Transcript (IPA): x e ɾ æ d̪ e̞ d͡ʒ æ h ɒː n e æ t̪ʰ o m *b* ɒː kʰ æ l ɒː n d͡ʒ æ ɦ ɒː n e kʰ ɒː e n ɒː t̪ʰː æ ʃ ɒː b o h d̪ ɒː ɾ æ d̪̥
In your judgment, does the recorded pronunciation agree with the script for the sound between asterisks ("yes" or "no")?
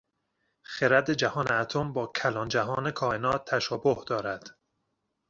yes